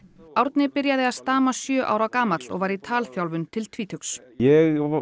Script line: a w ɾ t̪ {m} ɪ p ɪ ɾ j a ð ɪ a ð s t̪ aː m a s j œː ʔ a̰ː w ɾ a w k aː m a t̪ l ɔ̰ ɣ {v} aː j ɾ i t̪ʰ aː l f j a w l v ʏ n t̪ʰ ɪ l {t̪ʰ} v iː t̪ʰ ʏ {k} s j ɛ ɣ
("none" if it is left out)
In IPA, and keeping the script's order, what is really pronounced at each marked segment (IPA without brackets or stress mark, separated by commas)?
n, v, t̪ʰ, k